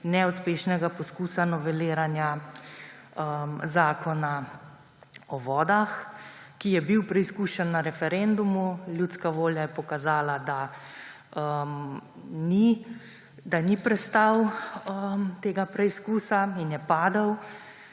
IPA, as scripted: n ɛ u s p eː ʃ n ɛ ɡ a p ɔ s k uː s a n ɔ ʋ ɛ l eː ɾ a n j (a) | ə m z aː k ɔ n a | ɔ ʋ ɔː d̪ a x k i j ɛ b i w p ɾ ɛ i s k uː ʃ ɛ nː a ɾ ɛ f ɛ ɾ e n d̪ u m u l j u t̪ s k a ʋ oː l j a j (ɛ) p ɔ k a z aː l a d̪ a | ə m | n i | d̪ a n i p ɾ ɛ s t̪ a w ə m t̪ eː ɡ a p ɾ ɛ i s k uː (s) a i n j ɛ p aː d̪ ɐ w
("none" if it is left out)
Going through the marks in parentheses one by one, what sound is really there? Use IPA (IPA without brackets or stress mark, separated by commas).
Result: a, ɛ, s